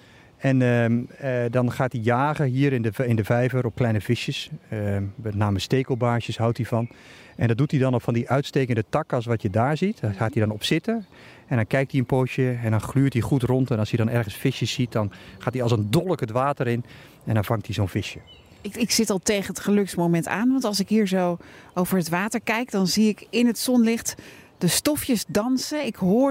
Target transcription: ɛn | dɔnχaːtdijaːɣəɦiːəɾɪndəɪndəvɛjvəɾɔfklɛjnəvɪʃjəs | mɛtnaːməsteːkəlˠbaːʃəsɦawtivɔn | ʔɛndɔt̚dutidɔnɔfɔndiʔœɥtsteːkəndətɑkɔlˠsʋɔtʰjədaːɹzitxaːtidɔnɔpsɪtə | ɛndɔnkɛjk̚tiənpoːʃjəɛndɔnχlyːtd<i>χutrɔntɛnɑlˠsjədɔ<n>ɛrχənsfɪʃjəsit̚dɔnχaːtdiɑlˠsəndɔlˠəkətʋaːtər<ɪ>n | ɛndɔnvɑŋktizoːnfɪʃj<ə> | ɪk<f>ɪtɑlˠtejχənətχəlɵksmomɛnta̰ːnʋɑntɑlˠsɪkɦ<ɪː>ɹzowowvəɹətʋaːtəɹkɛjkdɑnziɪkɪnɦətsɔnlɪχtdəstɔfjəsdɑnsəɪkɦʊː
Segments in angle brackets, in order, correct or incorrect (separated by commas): correct, correct, correct, correct, incorrect, incorrect